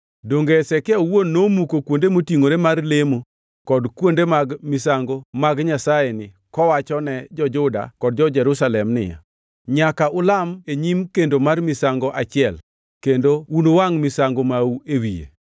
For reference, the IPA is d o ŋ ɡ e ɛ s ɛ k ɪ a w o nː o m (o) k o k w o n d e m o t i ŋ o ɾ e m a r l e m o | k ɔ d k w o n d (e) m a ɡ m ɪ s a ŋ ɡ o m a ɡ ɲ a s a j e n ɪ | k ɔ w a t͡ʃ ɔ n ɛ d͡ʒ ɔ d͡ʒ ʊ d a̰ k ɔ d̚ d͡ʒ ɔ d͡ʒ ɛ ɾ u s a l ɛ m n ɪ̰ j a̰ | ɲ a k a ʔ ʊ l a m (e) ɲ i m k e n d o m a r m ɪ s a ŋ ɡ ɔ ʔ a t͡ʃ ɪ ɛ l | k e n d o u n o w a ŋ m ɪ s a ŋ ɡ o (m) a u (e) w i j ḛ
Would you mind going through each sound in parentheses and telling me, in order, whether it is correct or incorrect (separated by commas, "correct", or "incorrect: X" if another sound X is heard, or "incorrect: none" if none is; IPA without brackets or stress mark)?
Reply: incorrect: u, correct, correct, correct, correct